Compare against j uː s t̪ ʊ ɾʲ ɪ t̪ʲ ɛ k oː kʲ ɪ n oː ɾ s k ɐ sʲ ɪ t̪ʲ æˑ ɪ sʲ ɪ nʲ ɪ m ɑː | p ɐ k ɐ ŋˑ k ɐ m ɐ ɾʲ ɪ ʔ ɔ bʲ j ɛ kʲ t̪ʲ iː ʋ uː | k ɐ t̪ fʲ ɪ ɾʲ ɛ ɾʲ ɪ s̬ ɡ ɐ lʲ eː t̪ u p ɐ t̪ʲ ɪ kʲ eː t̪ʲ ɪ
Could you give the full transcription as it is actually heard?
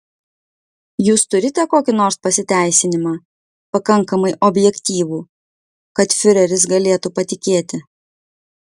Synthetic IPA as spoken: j uː s t̪ ʊ ɾʲ ɪ t̪ʲ ɛ k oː kʲ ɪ n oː ɾ s p ɐ sʲ ɪ t̪ʲ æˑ ɪ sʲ ɪ nʲ ɪ m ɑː | p ɐ k ɐ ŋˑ k ɐ m ɐ ɪ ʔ ɔ bʲ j ɛ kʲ t̪ʲ iː ʋ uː | k ɐ t̪ fʲ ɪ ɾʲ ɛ ɾʲ ɪ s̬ ɡ ɐ lʲ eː t̪ u p ɐ t̪ʲ ɪ kʲ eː t̪ʲ ɪ